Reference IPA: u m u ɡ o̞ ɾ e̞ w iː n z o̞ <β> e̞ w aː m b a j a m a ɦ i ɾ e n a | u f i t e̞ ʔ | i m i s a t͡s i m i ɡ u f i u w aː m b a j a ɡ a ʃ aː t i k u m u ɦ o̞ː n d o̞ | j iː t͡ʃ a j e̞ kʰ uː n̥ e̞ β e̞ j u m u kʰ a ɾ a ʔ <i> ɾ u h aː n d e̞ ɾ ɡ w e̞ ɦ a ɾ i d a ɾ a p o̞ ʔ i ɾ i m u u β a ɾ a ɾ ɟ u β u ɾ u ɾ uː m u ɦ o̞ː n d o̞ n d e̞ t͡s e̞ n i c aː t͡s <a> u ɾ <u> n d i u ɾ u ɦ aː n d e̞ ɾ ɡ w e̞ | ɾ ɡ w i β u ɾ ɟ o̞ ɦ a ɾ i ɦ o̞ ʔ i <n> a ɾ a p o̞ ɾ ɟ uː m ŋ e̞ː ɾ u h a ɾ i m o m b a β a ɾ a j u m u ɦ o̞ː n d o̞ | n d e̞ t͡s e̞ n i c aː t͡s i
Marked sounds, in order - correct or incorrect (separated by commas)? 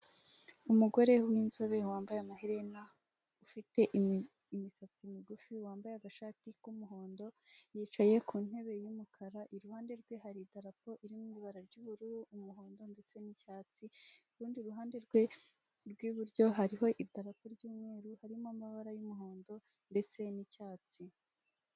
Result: correct, correct, incorrect, incorrect, incorrect